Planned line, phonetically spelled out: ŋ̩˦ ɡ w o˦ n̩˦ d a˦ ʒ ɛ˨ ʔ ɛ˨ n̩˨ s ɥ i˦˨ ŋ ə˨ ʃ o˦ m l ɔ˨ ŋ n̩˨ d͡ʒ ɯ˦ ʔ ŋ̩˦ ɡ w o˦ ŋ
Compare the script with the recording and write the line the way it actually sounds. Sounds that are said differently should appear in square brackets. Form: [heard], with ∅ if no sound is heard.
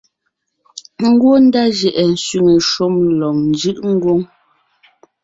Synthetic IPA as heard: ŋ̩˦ ɡ w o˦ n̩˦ d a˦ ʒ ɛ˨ ʔ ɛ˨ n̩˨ s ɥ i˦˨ ŋ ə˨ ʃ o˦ m l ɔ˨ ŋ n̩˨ d͡ʒ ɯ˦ ʔ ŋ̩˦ ɡ w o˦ ŋ

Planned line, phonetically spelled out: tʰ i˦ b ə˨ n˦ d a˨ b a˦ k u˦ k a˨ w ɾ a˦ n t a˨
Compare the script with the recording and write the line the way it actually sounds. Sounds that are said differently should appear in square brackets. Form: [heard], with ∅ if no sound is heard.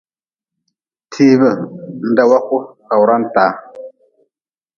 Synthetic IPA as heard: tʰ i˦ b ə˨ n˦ d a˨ [w] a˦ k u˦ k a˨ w ɾ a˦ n t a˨

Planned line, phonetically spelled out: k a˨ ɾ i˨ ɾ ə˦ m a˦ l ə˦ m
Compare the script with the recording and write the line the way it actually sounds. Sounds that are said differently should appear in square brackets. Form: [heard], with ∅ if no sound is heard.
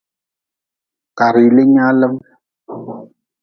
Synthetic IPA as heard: k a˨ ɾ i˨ [l] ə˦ [ɲ] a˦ l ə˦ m

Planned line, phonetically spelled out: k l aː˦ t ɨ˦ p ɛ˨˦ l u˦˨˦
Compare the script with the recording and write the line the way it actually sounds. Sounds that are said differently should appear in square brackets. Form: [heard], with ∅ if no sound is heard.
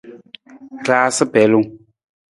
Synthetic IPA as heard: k l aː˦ [s] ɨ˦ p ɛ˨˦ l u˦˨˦

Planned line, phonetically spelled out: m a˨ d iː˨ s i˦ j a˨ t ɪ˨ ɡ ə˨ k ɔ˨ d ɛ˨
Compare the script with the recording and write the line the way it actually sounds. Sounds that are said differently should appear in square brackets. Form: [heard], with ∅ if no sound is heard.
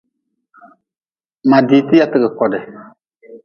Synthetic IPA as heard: m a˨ d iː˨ [t] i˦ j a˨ t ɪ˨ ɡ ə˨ k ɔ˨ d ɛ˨

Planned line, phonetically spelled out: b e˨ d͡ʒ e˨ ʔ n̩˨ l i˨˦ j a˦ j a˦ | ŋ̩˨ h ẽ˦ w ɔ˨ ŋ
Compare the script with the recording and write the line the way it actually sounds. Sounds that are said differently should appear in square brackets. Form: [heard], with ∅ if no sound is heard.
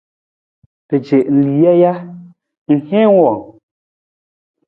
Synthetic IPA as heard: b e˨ d͡ʒ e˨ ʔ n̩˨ l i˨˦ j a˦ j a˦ | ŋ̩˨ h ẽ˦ w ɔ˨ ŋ

